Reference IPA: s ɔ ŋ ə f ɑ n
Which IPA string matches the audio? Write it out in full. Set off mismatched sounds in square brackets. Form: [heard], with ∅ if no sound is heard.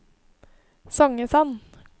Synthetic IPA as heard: s ɔ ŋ ə [s] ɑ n